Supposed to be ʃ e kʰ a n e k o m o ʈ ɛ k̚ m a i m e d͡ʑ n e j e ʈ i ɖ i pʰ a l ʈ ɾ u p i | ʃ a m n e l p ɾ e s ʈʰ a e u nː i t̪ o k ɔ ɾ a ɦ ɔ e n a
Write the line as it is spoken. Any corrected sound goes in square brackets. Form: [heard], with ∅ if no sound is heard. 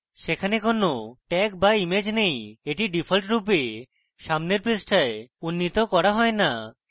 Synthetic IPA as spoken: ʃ e kʰ a n e k o [n] o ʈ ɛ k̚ [b] a i m e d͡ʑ n e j e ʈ i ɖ i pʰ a l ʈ ɾ u p [e] | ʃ a m n e [ɾ] p ɾ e s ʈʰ a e u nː i t̪ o k ɔ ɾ a ɦ ɔ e n a

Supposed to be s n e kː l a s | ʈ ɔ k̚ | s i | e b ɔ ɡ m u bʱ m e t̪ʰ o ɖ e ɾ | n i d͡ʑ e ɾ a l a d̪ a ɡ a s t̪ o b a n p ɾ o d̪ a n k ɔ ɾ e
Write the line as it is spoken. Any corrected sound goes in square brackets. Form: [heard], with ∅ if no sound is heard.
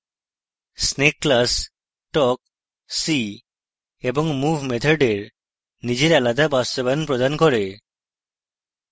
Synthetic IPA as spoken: s n e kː l a s | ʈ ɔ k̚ | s i | e b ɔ [ŋ] m u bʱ m e t̪ʰ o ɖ e ɾ | n i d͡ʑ e ɾ a l a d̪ a [b] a s t̪ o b a n p ɾ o d̪ a n k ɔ ɾ e

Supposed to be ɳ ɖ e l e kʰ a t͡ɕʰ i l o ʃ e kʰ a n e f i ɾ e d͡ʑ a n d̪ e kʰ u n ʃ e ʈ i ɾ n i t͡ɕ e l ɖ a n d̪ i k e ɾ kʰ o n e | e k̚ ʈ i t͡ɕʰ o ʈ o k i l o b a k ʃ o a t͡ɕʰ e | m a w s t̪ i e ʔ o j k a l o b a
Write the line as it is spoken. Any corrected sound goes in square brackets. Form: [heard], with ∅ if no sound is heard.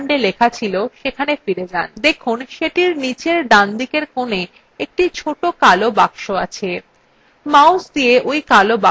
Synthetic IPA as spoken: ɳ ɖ e l e kʰ a t͡ɕʰ i l o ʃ e kʰ a n e f i ɾ e d͡ʑ a n d̪ e kʰ u n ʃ e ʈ i ɾ n i t͡ɕ e [ɾ] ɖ a n d̪ i k e ɾ [k] o n e | e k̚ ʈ i t͡ɕʰ o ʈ o k [a] l o b a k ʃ o a t͡ɕʰ e | m a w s [d̪] i e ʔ o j k a l o b a

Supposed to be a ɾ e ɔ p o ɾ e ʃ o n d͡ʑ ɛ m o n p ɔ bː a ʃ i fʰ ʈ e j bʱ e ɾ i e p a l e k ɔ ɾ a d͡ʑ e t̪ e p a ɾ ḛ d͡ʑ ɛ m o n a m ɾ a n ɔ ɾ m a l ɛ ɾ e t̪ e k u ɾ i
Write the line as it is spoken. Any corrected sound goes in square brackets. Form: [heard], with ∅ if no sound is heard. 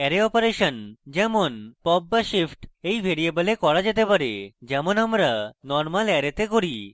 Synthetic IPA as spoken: [ɛ] ɾ e ɔ p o ɾ e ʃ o n d͡ʑ ɛ m o n p ɔ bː a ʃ i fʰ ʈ e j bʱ e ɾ i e [b] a l e k ɔ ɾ a d͡ʑ e t̪ e p a ɾ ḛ d͡ʑ ɛ m o n a m ɾ a n ɔ ɾ m a l ɛ ɾ e t̪ e k [o] ɾ i

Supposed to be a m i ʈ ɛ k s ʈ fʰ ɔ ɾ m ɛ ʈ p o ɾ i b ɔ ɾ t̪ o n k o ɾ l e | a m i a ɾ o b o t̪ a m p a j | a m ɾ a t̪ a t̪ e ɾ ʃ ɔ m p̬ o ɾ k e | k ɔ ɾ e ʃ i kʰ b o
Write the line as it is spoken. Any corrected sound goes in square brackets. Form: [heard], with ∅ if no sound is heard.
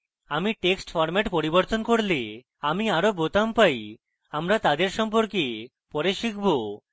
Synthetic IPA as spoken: a m i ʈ [e] k s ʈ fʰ ɔ ɾ m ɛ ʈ p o ɾ i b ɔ ɾ t̪ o n k o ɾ l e | a m i a ɾ o b o t̪ a m p a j | a m ɾ a t̪ a [d̪] e ɾ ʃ ɔ m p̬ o ɾ k e | [p] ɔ ɾ e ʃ i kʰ b o

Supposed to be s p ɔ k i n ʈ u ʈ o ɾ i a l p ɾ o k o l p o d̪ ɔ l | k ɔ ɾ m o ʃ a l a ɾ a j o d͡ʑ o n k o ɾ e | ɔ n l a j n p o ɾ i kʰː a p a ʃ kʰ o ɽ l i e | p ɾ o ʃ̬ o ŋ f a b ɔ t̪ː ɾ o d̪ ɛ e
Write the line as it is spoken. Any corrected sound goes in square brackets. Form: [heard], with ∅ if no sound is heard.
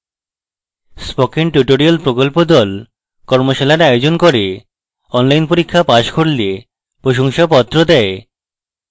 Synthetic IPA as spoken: s p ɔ k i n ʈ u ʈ o ɾ i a l p ɾ o k o l p o d̪ ɔ l | k ɔ ɾ m o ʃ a l a ɾ a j o d͡ʑ o n k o ɾ e | ɔ n l a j n p o ɾ i kʰː a p a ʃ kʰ o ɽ l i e | p ɾ o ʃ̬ o ŋ [ʃ] a [p] ɔ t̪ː ɾ o d̪ ɛ e

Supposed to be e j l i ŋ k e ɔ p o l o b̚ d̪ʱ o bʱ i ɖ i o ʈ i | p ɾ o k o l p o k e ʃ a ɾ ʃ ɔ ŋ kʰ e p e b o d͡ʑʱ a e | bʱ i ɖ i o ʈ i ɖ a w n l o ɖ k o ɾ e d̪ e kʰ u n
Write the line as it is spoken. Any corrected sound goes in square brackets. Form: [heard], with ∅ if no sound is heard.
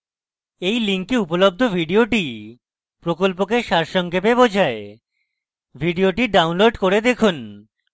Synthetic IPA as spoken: e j l i ŋ k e [u] p o l o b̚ d̪ʱ o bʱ i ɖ i o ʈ i | p ɾ o k o l p o k e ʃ a ɾ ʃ ɔ ŋ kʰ e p e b o d͡ʑʱ a e | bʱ i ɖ i o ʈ i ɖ a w n l o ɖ k o ɾ e d̪ e kʰ u n

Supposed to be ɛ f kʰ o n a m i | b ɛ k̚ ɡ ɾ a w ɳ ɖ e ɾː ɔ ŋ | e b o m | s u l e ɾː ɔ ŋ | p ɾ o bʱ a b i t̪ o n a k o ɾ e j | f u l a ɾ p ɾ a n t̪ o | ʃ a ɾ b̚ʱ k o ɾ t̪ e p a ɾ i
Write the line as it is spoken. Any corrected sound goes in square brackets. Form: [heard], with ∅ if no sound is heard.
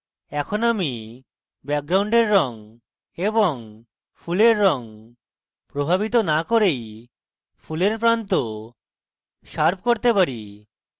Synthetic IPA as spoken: ɛ [∅] kʰ o n a m i | b ɛ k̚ ɡ ɾ a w ɳ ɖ e ɾː ɔ ŋ | e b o [ŋ] | [f] u l e ɾː ɔ ŋ | p ɾ o bʱ a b i t̪ o n a k o ɾ e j | f u l [e] ɾ p ɾ a n t̪ o | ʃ a ɾ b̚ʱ k o ɾ t̪ e p a ɾ i

